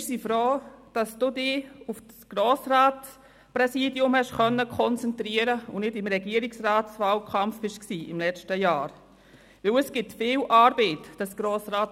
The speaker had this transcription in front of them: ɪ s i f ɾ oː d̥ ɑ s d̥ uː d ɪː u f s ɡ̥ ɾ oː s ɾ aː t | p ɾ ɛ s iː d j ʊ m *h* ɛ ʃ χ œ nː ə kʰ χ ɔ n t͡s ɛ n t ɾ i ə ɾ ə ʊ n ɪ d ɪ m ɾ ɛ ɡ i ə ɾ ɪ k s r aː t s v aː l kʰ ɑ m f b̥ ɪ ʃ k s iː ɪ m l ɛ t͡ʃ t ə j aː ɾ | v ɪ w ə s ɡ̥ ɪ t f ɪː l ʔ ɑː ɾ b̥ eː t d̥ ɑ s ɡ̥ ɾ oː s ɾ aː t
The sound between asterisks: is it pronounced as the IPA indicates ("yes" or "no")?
yes